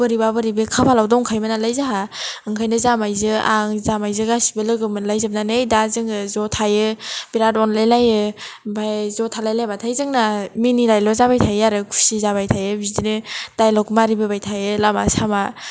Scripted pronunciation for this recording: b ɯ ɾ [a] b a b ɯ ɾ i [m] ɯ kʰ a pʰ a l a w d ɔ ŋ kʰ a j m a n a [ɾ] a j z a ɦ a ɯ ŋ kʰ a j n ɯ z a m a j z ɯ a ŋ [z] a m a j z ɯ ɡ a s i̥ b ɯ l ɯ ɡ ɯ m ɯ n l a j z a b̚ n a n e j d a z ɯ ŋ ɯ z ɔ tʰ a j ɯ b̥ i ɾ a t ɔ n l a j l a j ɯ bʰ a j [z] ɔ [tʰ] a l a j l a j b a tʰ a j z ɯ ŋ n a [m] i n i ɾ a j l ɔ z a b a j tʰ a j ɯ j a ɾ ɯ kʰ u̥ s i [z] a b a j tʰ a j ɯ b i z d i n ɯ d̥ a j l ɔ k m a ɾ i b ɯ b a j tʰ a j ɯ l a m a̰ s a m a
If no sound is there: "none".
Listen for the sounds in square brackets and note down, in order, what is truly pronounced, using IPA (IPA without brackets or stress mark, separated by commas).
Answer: i, b, l, z, z, tʰ, m, z